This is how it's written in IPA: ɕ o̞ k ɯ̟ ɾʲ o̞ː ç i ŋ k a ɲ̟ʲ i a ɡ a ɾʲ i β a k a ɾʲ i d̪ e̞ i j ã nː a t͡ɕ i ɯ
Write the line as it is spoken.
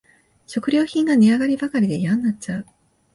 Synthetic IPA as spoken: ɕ o̞ k ɯ̟ ɾʲ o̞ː ç ĩ ŋ ɡ a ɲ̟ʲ i a ɡ a ɾʲ i b a k a ɾʲ i d̪ e̞ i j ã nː a t͡ɕ a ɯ